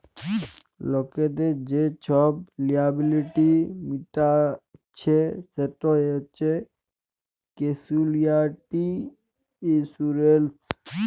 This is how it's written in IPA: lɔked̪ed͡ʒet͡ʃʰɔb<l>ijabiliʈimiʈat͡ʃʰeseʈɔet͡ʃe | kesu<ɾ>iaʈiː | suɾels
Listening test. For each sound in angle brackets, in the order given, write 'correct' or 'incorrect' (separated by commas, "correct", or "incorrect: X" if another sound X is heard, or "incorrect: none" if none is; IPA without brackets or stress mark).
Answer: correct, incorrect: l